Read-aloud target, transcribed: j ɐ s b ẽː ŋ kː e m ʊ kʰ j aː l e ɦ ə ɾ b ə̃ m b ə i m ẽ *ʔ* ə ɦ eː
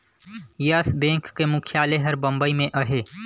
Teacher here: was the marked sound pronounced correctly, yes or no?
yes